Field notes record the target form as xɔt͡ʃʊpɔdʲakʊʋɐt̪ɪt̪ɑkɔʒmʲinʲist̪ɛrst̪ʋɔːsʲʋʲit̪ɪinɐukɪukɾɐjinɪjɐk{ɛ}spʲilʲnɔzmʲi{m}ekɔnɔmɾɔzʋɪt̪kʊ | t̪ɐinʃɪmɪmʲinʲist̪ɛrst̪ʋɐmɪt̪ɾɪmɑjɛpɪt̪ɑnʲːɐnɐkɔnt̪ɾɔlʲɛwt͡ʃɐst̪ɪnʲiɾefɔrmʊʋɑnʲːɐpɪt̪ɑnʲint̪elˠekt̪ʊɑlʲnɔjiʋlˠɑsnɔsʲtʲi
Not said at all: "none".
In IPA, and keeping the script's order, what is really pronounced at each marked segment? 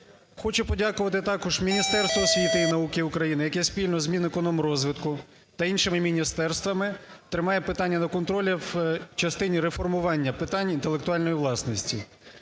ɛ, n

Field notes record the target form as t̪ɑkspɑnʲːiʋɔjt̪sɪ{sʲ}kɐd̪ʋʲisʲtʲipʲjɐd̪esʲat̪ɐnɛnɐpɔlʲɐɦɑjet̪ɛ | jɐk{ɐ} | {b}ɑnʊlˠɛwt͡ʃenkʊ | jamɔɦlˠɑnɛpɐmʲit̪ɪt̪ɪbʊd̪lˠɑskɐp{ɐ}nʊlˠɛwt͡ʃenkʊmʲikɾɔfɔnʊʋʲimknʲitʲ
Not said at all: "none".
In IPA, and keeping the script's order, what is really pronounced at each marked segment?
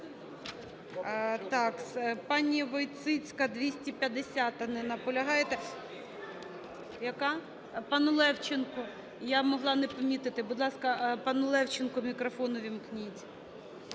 t͡sʲ, ɑ, p, ɑ

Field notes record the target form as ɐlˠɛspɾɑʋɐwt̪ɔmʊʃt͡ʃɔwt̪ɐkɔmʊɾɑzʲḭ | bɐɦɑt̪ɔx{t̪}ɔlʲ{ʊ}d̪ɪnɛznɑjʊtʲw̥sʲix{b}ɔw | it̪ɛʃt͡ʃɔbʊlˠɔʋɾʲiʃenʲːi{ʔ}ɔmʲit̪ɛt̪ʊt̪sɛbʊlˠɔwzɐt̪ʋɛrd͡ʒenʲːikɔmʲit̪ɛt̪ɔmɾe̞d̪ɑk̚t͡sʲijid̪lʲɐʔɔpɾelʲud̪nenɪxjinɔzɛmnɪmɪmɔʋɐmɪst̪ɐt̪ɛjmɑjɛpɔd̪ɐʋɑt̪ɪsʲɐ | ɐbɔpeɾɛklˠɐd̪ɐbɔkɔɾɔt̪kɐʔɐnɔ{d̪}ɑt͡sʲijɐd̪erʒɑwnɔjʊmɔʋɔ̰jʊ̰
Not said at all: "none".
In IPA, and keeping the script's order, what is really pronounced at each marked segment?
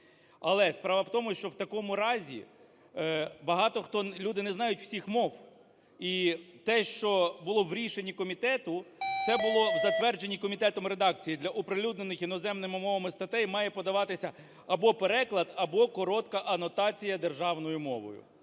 t̪, u, m, k, t̪

